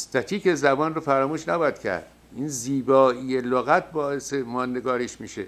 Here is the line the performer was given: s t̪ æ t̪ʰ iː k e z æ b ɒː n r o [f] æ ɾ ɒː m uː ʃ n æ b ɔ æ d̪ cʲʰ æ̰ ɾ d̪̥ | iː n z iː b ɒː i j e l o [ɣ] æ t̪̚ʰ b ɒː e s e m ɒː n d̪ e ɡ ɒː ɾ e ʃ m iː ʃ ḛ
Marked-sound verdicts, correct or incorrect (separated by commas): correct, correct